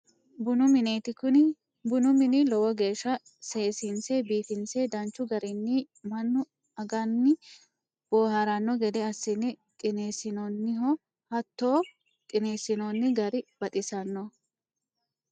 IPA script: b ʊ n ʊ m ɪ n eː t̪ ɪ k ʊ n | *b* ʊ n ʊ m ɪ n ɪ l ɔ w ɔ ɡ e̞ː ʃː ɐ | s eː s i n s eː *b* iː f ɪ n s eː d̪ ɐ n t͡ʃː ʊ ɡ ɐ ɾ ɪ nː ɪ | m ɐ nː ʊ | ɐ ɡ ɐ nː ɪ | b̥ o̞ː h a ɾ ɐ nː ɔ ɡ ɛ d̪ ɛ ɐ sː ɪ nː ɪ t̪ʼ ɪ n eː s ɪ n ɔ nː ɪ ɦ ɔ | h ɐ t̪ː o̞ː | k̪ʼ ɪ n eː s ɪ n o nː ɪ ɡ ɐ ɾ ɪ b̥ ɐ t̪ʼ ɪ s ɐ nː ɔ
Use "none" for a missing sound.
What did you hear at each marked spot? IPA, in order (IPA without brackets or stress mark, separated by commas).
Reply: b, b